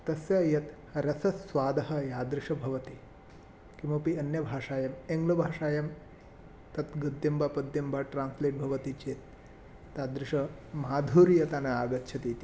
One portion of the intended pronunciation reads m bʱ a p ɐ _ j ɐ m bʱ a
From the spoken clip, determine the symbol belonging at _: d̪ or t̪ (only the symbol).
d̪